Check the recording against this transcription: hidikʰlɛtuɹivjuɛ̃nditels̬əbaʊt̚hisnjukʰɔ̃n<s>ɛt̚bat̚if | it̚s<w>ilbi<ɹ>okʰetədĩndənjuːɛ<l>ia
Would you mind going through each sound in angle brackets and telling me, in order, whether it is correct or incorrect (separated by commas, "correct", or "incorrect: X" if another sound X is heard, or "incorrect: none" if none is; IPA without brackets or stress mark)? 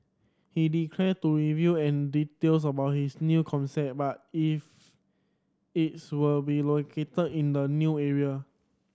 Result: correct, correct, incorrect: l, incorrect: ɹ